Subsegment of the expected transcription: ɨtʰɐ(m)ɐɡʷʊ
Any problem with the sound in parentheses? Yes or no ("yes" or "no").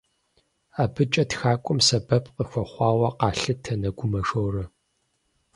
yes